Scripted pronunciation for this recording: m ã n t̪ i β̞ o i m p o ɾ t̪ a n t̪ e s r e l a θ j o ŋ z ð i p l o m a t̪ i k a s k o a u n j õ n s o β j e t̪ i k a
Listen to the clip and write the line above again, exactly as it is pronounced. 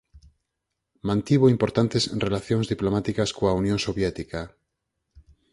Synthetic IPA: m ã n t̪ i β̞ o i m p o ɾ t̪ a n t̪ e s r e l a θ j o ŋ z ð i p l o m a t̪ i k a s k o a u n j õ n s o β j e t̪ i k a